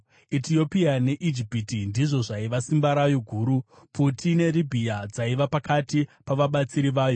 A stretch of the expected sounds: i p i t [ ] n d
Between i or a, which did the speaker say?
i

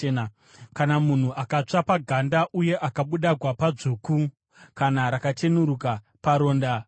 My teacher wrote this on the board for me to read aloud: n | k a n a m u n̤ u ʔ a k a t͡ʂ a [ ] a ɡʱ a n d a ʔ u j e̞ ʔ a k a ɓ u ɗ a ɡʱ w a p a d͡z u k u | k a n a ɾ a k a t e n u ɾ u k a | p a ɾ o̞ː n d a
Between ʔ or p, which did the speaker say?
p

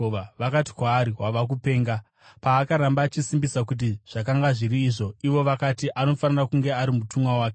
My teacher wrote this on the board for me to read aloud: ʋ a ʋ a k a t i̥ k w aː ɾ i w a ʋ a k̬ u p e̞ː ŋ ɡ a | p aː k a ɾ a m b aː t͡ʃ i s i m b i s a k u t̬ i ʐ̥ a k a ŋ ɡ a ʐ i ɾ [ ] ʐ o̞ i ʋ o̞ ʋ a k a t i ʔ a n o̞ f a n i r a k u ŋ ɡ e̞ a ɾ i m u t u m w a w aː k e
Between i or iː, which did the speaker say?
iː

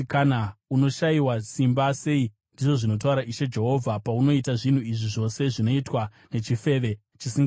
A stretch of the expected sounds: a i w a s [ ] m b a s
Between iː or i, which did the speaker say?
i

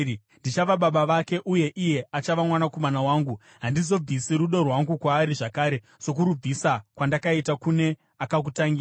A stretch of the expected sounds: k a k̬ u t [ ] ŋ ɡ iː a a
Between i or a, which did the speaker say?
a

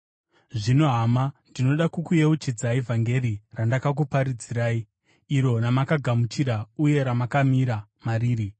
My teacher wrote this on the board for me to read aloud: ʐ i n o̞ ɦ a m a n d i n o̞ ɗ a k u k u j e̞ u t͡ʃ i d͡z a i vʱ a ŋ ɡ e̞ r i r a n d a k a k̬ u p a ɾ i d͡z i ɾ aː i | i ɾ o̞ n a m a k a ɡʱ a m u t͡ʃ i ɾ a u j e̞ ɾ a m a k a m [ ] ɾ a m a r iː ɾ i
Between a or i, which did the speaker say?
i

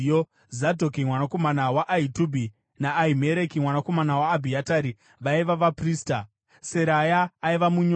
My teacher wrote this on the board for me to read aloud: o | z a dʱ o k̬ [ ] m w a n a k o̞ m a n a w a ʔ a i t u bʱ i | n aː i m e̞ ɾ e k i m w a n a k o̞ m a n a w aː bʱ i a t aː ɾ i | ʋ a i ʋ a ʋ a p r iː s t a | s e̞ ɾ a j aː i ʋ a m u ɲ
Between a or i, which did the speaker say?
i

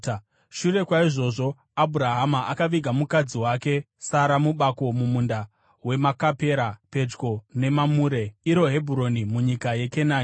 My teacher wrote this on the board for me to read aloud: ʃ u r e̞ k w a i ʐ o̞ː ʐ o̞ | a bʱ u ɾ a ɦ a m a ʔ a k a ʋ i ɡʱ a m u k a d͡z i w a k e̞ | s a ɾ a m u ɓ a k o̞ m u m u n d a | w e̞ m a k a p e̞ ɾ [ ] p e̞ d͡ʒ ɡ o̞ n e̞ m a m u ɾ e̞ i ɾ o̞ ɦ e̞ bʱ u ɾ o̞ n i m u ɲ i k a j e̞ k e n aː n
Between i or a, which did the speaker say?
a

